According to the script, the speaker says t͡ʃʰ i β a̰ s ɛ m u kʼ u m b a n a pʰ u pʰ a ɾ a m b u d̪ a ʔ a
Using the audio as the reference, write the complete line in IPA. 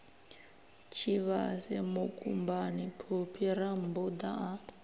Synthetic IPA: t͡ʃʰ i β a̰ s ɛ m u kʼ u m b a n i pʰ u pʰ i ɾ a m b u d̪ a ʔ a